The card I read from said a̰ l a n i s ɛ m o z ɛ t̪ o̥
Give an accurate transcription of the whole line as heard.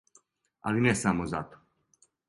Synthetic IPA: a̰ l i n ɛ s a m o z a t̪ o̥